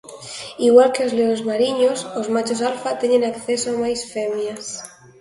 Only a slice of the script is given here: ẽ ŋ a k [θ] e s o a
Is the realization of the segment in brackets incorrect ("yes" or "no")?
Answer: no